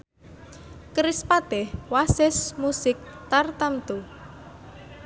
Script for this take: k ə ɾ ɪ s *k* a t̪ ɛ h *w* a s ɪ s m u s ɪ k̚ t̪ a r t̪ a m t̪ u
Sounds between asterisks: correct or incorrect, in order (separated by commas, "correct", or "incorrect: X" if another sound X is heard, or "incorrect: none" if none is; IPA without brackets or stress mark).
incorrect: p, correct